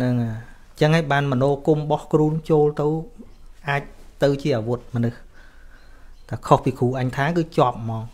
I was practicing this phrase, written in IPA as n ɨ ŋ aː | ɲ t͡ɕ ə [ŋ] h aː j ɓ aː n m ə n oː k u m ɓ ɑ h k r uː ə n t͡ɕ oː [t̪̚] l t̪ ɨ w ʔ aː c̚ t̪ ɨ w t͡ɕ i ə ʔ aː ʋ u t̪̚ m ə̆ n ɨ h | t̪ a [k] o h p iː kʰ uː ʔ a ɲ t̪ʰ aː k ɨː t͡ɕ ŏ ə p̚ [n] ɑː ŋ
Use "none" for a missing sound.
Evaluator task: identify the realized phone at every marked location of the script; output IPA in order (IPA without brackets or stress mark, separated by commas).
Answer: ŋ, none, kʰ, m